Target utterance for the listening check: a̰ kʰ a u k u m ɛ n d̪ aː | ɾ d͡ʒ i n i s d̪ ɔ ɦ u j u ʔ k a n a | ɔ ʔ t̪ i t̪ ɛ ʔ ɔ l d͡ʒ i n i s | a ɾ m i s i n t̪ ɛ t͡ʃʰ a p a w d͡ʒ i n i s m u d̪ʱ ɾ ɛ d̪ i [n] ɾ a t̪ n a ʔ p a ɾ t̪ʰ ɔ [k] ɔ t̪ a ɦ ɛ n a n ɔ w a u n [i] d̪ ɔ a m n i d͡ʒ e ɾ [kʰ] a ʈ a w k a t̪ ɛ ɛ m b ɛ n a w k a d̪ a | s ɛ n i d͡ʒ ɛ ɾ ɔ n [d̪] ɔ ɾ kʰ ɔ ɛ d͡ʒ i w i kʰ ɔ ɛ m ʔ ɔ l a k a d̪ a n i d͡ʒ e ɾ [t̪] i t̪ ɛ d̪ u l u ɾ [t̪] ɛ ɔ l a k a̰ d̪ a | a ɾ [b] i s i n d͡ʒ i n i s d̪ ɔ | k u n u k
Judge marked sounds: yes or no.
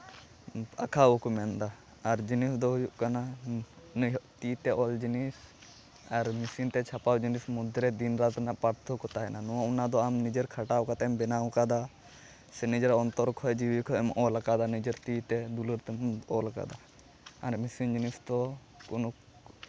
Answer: yes, yes, no, yes, no, yes, yes, no

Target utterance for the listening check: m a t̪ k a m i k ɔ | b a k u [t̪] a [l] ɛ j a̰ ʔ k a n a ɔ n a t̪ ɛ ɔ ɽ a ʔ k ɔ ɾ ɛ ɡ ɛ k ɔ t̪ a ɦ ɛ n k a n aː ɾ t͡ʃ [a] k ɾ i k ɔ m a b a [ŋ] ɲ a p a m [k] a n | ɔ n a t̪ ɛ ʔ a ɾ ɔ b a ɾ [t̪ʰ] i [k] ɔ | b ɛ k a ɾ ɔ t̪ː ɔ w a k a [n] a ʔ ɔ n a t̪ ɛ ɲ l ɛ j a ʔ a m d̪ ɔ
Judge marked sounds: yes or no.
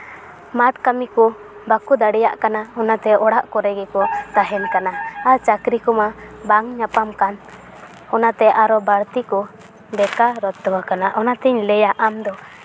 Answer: no, no, yes, yes, yes, no, yes, yes

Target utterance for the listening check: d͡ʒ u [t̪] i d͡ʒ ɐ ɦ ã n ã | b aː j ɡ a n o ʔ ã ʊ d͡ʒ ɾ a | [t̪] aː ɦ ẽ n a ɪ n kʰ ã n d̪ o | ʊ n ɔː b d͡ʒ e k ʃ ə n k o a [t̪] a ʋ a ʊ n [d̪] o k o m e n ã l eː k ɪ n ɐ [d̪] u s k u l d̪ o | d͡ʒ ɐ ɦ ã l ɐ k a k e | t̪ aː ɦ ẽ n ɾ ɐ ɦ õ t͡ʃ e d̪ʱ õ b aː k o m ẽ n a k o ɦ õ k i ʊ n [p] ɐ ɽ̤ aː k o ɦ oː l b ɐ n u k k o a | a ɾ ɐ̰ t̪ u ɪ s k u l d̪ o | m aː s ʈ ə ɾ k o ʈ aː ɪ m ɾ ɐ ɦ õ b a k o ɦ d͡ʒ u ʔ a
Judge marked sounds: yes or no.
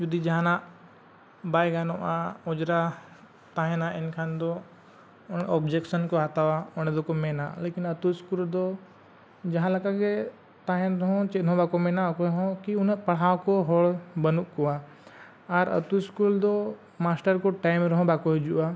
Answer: no, yes, yes, yes, no, yes

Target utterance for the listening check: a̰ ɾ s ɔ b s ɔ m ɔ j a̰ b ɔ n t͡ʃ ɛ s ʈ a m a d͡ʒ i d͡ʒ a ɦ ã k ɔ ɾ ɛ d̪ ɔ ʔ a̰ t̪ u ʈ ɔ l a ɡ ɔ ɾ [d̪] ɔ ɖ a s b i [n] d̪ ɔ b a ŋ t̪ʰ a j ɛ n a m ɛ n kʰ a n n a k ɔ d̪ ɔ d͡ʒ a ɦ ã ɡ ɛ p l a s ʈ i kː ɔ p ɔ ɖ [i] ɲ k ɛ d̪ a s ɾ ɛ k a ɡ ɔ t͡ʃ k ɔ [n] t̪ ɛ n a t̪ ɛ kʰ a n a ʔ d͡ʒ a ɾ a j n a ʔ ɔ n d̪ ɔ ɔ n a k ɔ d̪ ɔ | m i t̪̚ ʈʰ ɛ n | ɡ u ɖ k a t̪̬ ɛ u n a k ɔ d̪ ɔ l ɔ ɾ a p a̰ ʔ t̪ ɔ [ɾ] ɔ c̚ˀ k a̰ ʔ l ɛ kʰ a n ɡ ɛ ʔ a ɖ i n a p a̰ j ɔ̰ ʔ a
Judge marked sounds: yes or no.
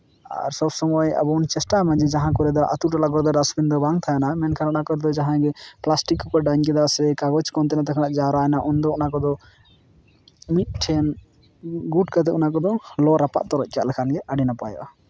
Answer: yes, yes, no, yes, yes

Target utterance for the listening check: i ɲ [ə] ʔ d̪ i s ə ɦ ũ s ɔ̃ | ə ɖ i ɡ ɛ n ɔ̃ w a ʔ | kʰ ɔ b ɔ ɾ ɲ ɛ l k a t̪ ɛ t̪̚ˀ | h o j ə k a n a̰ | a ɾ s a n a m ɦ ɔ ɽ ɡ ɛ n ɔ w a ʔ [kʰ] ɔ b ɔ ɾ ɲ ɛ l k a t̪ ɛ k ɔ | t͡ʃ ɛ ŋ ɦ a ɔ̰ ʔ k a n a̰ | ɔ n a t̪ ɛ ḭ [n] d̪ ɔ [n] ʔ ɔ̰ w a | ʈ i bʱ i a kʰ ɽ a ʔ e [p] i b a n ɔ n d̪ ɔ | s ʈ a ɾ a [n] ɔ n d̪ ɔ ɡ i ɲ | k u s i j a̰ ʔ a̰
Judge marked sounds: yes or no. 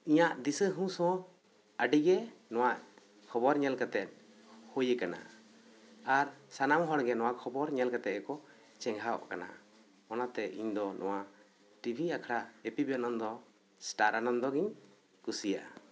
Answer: no, yes, no, yes, yes, yes

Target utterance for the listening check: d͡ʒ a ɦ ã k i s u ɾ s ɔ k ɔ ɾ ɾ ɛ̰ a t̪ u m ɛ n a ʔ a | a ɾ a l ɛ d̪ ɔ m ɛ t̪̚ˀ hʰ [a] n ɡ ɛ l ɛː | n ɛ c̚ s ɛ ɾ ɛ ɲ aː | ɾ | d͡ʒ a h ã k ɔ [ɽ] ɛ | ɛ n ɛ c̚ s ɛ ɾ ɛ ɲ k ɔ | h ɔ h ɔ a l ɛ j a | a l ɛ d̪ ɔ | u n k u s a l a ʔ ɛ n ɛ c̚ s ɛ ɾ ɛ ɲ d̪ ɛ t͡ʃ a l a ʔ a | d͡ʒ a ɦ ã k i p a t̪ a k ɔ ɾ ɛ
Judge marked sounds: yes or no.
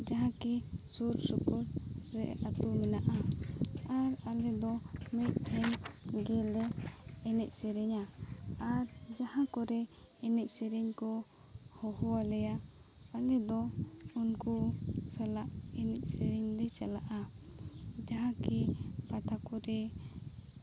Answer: no, no

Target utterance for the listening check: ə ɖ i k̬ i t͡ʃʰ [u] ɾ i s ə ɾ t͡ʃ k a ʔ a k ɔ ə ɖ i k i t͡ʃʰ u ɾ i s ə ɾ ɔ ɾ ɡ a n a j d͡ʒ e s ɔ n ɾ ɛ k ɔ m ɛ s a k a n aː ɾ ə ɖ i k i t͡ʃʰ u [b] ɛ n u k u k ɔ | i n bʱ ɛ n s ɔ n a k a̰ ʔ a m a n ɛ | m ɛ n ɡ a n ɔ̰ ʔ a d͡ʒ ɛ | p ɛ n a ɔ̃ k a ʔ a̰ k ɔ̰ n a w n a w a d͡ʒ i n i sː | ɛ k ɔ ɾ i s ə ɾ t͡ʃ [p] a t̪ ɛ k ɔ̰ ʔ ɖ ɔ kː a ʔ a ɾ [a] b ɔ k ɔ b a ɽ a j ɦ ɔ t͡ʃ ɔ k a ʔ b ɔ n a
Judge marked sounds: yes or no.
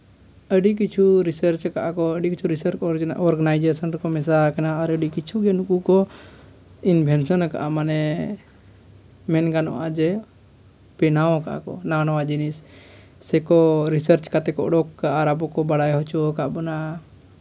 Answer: yes, no, no, yes

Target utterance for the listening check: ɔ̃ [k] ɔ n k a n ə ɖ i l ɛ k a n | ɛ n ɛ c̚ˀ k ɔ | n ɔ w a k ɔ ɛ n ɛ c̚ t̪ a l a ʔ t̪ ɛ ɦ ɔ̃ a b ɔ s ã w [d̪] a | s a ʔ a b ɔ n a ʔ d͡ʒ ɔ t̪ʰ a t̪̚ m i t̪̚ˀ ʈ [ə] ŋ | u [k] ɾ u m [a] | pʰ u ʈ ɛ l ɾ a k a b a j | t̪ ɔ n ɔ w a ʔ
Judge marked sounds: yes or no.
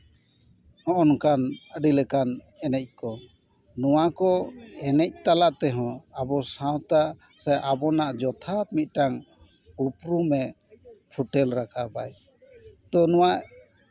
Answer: no, no, no, no, no

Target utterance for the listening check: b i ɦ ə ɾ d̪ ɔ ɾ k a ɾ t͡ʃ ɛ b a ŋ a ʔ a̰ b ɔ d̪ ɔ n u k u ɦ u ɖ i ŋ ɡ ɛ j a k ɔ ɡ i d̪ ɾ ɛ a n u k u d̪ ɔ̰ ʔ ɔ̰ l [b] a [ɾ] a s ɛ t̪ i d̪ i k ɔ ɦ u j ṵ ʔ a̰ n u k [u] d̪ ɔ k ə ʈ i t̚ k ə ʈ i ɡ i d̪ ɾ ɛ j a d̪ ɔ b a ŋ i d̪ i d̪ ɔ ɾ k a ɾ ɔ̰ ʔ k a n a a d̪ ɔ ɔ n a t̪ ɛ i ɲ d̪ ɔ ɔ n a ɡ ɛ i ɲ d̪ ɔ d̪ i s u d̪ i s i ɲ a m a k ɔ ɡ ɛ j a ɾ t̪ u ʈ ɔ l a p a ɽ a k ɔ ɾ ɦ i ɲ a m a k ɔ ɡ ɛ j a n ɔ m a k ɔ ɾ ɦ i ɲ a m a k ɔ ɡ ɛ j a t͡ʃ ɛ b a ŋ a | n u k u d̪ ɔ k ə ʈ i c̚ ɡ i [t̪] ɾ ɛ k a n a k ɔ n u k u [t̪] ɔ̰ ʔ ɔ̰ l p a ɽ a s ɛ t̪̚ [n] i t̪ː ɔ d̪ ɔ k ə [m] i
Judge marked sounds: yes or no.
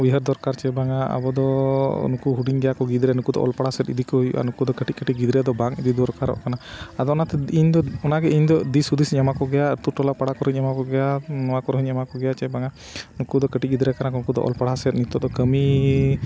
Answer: no, no, yes, no, no, yes, yes

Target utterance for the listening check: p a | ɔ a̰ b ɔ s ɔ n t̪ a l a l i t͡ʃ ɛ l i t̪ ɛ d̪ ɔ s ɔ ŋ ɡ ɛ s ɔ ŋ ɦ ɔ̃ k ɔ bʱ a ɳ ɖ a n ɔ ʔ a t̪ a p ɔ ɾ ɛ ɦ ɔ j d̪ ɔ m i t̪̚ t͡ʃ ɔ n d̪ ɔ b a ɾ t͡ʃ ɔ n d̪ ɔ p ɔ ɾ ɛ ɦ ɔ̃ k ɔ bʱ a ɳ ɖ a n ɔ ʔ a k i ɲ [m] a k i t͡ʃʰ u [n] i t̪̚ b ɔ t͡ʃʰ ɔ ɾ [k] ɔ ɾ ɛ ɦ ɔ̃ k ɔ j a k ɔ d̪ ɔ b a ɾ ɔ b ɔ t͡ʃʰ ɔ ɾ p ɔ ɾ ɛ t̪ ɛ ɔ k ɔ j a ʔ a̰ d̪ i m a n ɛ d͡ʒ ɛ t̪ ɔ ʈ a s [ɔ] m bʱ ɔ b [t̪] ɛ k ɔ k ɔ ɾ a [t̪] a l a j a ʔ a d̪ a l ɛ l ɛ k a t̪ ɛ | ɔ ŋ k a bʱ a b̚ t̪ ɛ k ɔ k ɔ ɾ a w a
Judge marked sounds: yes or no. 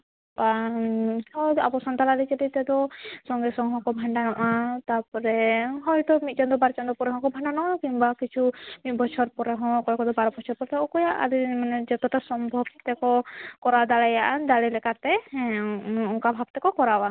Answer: no, no, no, yes, yes, no

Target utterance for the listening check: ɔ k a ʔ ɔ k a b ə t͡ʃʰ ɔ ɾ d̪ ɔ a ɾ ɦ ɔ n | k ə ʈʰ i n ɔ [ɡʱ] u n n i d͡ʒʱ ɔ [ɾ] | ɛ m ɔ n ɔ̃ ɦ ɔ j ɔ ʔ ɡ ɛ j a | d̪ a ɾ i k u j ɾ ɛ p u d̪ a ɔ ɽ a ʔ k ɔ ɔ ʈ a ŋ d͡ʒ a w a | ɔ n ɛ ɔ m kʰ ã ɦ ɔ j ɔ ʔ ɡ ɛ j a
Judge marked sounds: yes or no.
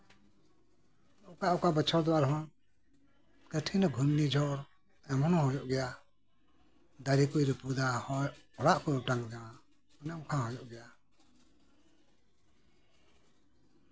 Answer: yes, yes

